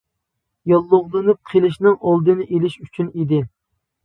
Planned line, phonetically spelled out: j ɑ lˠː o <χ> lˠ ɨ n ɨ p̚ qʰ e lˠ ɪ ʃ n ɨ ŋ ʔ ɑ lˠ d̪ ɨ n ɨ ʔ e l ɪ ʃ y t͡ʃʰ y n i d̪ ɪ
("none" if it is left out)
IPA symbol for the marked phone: ʁ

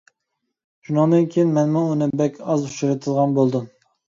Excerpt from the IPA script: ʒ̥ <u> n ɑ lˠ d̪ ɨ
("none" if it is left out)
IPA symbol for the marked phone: u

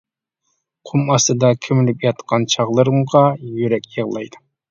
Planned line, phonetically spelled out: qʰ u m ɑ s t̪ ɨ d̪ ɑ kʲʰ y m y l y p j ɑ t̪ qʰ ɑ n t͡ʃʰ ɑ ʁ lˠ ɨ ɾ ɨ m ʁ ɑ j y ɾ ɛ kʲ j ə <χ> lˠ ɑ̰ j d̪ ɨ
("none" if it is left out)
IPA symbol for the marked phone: ʁ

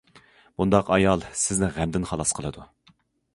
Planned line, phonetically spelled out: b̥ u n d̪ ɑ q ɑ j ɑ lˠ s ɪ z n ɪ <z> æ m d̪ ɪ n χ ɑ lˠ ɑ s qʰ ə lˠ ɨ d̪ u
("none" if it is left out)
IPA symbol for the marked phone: ʁ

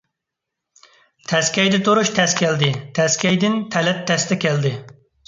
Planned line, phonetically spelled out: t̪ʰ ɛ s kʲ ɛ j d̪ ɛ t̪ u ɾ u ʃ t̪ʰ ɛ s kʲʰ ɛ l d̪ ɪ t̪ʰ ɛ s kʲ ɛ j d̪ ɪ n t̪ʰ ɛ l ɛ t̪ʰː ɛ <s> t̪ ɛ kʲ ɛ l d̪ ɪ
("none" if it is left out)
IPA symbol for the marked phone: s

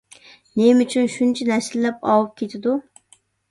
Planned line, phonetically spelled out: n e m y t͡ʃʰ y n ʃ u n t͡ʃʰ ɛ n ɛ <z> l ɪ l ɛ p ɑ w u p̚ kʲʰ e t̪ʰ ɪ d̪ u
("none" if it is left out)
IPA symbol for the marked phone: s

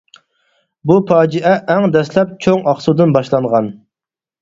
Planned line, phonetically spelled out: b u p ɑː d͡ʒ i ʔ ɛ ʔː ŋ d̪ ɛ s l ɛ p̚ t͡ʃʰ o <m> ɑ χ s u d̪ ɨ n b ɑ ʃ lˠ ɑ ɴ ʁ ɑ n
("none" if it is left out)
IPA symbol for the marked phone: ŋ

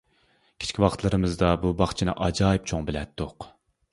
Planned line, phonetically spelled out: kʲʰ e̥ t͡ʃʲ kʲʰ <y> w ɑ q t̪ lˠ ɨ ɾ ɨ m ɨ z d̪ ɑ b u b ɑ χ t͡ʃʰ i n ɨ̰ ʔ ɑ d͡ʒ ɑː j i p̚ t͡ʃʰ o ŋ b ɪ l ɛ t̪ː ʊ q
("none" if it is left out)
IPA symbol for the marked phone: i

